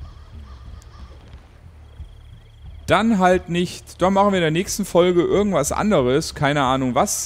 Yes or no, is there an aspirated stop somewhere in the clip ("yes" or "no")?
yes